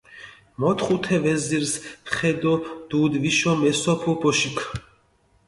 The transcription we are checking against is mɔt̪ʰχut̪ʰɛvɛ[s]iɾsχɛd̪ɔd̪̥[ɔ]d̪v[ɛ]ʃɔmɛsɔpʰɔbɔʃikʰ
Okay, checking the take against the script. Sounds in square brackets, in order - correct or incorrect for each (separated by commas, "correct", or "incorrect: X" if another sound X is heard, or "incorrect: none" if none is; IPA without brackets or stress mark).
incorrect: z, incorrect: u, incorrect: i